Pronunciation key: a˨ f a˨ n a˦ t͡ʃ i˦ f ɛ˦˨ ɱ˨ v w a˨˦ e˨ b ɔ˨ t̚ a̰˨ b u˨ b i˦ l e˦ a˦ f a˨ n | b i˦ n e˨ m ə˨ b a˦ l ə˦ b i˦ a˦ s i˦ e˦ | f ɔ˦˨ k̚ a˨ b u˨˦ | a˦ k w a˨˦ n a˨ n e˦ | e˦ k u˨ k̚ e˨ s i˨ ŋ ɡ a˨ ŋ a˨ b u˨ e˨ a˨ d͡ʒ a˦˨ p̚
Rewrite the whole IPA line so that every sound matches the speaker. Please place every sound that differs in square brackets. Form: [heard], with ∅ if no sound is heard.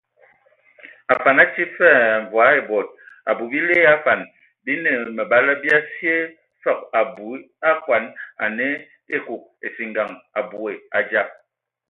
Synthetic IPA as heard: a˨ f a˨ n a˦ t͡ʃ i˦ f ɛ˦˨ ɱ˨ v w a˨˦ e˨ b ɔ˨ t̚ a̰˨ b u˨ b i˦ l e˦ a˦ f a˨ n | b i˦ n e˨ m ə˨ b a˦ l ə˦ b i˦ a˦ s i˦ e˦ | f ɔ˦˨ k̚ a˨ b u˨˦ | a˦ k w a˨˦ n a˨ n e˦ | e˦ k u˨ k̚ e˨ s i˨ ŋ ɡ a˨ ŋ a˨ b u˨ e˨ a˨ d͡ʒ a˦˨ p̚